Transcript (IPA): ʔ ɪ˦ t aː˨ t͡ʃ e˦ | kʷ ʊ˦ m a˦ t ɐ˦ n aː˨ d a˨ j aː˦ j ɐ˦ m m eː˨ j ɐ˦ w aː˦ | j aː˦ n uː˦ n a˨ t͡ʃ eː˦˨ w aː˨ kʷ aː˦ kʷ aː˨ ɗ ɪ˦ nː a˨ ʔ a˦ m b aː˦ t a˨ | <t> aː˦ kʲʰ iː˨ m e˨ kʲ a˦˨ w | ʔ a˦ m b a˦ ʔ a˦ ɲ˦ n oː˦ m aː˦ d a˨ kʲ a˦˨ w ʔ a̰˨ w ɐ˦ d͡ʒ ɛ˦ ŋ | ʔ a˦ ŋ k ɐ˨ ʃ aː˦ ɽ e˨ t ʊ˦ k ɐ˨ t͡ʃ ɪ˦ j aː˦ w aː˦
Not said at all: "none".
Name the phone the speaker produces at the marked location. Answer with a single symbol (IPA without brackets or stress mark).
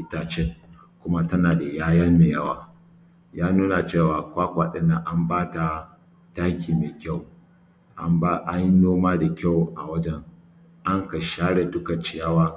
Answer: t